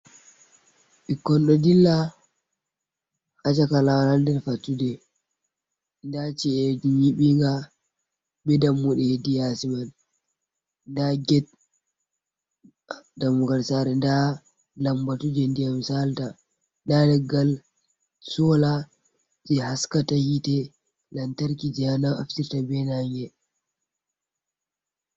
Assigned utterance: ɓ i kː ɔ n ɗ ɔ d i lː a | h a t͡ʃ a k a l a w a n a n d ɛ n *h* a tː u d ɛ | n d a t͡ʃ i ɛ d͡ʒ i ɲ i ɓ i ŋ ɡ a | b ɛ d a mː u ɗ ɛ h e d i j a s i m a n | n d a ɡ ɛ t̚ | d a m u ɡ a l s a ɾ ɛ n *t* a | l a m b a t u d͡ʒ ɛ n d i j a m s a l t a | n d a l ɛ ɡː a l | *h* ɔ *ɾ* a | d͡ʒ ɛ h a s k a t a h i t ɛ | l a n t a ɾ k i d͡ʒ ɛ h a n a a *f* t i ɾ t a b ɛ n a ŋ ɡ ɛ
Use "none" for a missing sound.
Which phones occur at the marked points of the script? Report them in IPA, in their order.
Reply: f, d, s, l, f

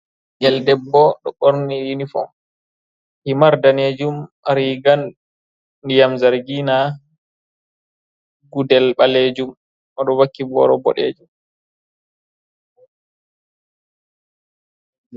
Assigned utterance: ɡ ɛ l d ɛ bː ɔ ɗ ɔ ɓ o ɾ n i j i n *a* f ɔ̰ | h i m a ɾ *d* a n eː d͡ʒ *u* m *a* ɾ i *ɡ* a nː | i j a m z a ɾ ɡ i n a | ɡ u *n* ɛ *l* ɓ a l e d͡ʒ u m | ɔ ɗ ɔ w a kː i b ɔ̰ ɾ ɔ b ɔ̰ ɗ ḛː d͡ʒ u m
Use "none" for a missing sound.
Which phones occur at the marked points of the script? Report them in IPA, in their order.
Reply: i, d, u, a, ɡ, d, l

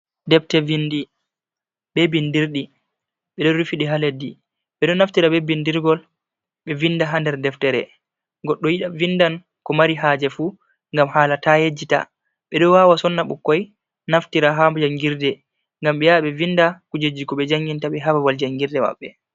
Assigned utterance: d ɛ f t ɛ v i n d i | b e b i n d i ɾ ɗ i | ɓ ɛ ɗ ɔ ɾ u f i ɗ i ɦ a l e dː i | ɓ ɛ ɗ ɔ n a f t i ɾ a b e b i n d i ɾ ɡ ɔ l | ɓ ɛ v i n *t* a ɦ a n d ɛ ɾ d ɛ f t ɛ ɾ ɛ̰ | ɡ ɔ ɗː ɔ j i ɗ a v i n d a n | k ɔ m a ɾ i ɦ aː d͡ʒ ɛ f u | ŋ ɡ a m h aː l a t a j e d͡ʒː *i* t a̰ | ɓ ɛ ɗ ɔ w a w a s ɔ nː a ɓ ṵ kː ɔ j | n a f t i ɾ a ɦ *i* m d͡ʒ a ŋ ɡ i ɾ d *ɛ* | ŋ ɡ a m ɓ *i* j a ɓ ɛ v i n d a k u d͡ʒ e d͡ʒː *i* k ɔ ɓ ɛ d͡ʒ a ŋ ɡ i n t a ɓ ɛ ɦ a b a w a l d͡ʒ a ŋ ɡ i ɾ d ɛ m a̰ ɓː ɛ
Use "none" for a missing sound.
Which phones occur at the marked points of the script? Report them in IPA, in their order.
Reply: d, i, a, ɛ, ɛ, i

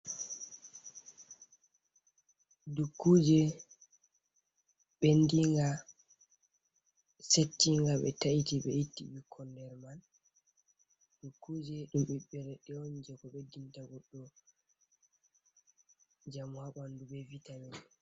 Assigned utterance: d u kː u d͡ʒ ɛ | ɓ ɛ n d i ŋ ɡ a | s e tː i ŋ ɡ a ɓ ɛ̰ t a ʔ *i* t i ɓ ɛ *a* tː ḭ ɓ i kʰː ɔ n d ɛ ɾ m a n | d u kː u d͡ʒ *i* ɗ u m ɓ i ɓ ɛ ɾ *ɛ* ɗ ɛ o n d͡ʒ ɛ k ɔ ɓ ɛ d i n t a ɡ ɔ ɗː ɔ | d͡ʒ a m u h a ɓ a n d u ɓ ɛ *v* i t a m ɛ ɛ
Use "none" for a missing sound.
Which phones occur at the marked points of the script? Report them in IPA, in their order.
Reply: i, i, ɛ, ɛ, v

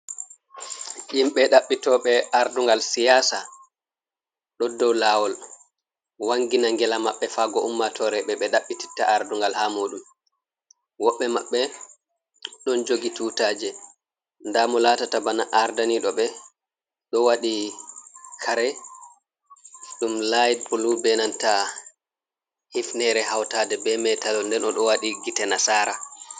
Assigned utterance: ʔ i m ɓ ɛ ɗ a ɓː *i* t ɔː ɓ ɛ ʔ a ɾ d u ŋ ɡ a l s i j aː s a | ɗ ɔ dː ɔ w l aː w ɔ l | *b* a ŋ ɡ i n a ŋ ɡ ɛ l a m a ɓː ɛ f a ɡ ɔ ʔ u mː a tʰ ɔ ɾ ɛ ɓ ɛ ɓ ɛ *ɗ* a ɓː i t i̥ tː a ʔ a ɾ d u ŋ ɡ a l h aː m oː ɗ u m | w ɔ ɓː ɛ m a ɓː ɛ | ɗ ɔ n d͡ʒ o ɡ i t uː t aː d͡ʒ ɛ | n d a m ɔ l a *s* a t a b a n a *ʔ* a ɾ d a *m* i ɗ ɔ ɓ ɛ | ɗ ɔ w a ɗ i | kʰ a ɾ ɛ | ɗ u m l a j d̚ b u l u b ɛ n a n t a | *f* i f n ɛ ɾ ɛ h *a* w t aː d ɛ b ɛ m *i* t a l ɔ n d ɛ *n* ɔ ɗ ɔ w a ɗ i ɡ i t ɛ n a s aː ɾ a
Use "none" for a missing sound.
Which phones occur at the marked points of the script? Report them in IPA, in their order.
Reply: i, w, ɗ, t, ʔ, n, h, a, ɛ, n

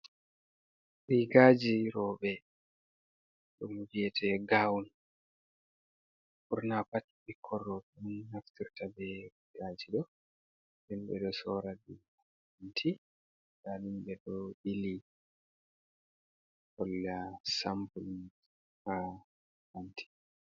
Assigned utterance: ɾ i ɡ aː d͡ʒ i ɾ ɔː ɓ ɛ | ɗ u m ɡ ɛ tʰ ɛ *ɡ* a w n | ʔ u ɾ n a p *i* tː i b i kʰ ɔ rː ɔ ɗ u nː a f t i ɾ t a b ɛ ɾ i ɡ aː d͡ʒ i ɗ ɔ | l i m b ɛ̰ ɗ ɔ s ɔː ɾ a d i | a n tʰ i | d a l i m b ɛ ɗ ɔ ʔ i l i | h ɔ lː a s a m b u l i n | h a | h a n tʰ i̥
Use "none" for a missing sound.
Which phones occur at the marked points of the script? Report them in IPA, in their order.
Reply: ɡ, a

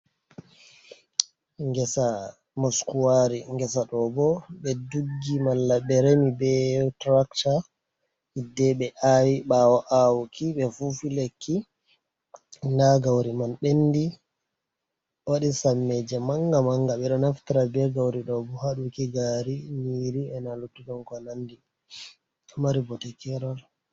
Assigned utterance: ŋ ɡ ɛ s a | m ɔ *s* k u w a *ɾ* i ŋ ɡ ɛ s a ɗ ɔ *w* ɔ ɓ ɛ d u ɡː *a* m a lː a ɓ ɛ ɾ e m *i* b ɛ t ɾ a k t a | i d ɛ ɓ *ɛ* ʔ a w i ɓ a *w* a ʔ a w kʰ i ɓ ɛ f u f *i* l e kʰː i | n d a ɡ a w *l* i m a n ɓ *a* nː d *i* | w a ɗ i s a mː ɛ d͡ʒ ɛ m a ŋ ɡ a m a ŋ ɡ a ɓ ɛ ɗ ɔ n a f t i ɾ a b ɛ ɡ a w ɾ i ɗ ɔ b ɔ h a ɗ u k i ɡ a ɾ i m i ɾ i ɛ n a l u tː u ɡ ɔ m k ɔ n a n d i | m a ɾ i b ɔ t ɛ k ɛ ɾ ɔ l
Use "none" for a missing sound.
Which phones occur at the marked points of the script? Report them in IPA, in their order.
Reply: s, ɾ, b, i, i, ɛ, w, i, ɾ, e, i

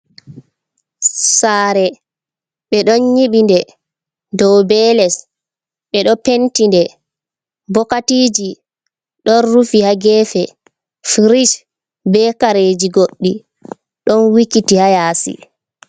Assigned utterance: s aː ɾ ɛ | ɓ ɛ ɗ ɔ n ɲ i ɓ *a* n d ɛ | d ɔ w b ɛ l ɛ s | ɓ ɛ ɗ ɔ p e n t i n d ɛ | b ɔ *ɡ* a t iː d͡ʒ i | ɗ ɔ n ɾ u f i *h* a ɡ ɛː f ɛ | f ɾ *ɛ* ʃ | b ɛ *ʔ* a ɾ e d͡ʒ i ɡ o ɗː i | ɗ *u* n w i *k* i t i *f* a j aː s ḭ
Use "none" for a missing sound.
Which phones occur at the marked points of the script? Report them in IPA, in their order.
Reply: i, k, h, i, k, ɔ, k, h

